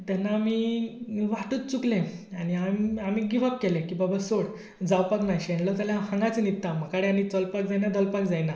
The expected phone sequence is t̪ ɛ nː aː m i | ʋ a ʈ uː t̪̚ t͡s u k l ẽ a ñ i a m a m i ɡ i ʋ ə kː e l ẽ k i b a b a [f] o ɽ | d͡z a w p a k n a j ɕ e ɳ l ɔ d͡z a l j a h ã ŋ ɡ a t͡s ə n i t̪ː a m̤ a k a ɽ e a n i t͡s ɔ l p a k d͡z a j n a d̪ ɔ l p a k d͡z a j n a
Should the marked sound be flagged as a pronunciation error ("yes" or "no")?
yes